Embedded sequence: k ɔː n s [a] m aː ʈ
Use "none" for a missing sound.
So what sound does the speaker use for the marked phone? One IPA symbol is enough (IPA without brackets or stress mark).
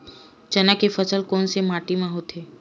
e